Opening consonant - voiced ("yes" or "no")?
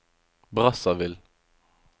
yes